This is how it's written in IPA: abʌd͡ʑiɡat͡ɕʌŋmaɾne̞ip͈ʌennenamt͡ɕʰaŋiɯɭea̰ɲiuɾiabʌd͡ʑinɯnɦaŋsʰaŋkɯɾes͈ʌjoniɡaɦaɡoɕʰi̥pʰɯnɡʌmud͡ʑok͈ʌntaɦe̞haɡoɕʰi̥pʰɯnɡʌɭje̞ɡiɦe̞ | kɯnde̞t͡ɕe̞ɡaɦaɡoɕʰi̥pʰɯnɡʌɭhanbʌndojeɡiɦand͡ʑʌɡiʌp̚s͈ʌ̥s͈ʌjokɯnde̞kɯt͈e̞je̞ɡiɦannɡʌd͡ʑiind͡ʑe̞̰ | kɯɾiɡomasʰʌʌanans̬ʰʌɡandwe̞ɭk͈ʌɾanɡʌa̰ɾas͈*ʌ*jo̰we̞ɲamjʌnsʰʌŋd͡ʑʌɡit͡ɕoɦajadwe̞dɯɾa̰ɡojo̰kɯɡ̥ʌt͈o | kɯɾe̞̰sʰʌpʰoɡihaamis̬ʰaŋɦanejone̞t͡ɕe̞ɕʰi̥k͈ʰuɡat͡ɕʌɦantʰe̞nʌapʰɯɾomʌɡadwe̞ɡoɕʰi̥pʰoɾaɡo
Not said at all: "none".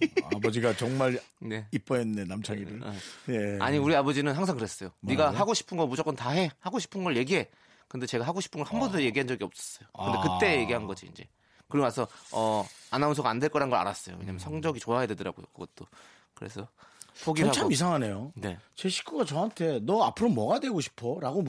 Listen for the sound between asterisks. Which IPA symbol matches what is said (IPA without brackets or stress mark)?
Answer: ʌ